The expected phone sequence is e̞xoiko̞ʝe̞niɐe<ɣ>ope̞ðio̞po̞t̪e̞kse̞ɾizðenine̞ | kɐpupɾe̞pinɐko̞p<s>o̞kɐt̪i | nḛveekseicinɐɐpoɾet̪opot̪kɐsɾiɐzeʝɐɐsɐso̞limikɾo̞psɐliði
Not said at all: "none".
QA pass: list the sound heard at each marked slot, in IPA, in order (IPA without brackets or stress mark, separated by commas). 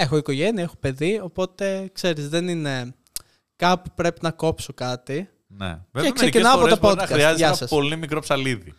x, s